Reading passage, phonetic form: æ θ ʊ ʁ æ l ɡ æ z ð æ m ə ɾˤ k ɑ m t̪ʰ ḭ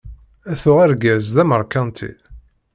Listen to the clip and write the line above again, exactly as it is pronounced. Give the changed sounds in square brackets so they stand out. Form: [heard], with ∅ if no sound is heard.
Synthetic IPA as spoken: æ θ ʊ ʁ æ [ɾ] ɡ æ z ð æ m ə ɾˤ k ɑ [n] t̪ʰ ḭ